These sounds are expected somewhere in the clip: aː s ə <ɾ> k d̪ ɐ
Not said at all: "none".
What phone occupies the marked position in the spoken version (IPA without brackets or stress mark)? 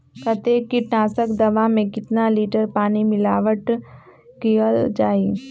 none